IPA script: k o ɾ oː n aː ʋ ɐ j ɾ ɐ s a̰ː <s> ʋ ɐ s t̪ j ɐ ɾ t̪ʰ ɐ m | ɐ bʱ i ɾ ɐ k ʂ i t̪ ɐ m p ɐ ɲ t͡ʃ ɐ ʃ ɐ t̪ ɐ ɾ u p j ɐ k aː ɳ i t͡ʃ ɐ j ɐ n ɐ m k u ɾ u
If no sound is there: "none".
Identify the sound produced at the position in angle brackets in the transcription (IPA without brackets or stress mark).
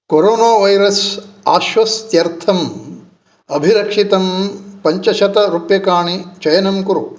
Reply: ʃ